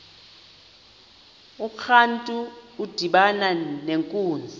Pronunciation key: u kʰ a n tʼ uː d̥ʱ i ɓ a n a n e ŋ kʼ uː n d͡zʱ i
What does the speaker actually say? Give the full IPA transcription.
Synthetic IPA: u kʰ a n tʼ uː d̥ʱ i ɓ a n a n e ŋ kʼ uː n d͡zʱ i

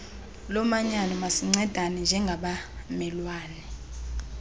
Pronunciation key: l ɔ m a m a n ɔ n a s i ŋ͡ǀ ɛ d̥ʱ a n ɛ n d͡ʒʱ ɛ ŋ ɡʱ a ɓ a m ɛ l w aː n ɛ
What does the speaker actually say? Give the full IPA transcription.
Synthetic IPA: l ɔ m a ɲ a n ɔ m a s i ŋ͡ǀ ɛ d̥ʱ a n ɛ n d͡ʒʱ ɛ ŋ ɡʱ a ɓ a m ɛ l w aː n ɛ

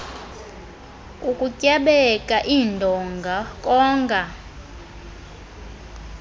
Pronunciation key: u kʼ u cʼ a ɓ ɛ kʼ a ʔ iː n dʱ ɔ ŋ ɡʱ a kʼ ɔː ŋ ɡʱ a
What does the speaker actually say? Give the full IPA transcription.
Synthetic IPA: u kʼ u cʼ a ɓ ɛ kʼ a ʔ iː n dʱ ɔ ŋ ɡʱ a kʼ ɔː ŋ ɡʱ a

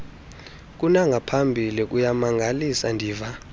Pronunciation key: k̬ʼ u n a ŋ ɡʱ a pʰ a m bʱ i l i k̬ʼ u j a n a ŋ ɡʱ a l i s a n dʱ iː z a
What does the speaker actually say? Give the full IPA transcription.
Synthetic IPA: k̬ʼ u n a ŋ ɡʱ a pʰ a m bʱ i l i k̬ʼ u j a m a ŋ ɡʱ a l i s a n dʱ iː v a

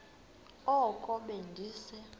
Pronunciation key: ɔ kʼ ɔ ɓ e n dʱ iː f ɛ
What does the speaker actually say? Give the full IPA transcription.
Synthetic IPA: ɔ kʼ ɔ ɓ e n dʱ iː s ɛ

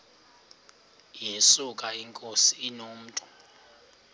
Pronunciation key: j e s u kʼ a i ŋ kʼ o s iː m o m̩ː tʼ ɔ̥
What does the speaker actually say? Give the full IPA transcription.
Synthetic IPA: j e s u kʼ a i ŋ kʼ o s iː n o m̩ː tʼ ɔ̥

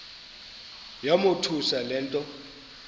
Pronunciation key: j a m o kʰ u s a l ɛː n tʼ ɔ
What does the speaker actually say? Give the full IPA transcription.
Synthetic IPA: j a m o tʰ u s a l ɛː n tʼ ɔ

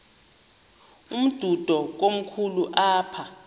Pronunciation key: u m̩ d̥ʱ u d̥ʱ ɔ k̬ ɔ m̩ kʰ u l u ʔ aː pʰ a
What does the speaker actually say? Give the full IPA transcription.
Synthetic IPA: u m̩ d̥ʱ u d̥ʱ ɔ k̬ o m̩ kʰ u l u ʔ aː pʰ a

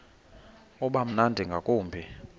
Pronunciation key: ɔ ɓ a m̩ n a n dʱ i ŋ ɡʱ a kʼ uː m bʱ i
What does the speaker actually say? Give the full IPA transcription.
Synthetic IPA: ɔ ɓ a m̩ n a n dʱ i ŋ ɡʱ a kʼ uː m bʱ i

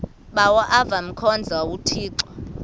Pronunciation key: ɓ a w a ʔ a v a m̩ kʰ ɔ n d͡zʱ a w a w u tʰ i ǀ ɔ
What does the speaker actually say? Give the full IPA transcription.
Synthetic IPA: ɓ a w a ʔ a v a m̩ kʰ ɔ n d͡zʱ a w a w u tʰ iː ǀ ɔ

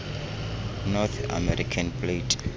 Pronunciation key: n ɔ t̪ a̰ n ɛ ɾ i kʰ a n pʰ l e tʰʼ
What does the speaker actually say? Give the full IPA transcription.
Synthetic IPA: n ɔ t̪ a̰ m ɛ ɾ i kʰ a n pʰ l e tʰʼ

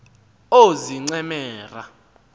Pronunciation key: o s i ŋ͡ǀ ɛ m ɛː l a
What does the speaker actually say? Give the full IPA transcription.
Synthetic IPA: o z i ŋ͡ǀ ɛ m ɛː r a

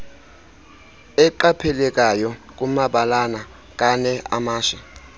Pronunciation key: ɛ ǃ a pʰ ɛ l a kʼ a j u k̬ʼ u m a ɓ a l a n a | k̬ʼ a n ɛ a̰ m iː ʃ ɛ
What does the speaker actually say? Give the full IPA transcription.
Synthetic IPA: ɛ ǃ a pʰ ɛ l ɛ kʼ a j ɔ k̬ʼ u m a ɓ a l a n a | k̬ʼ a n ɛ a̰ m aː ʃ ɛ

